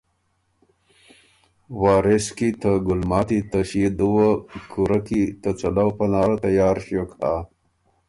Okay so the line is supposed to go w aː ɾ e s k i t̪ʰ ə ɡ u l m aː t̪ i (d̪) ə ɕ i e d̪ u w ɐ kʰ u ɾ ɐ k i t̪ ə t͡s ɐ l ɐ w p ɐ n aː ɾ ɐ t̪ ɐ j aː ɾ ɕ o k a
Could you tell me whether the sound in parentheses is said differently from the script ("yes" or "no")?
yes